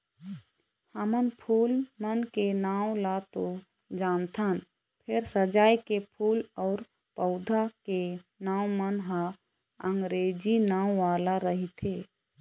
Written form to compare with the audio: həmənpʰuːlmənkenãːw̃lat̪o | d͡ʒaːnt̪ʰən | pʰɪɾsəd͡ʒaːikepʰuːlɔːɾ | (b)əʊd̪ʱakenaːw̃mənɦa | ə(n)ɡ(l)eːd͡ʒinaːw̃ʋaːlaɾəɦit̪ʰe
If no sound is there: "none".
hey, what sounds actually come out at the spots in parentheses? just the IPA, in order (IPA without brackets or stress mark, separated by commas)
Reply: p, ŋ, ɾ